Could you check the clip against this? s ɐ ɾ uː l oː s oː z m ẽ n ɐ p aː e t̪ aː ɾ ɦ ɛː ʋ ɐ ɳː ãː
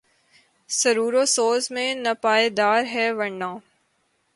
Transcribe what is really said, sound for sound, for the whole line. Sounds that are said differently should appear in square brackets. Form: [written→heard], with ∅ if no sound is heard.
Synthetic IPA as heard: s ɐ ɾ uː [l→ɾ] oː s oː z m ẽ n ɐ p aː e [t̪→d̪] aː ɾ ɦ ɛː ʋ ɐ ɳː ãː